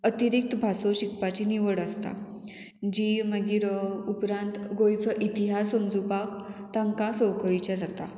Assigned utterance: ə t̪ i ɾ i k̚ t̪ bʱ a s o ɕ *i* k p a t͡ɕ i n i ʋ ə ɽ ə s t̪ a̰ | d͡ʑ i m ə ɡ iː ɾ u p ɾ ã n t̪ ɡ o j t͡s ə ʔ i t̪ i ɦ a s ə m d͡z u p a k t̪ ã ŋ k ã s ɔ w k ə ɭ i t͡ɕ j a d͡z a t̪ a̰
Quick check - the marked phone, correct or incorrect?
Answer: correct